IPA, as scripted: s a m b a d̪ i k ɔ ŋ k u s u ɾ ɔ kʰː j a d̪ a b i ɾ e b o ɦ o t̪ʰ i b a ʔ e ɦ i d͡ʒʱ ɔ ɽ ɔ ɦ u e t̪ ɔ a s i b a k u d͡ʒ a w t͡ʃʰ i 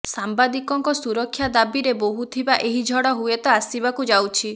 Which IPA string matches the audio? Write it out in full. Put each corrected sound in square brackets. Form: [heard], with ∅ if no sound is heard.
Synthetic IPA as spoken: s a m b a d̪ i k ɔ ŋ k [ɔ] s u ɾ ɔ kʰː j a d̪ a b i ɾ e b o ɦ [u] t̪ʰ i b a ʔ e ɦ i d͡ʒʱ ɔ ɽ ɔ ɦ u e t̪ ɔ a s i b a k u d͡ʒ a w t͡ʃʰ i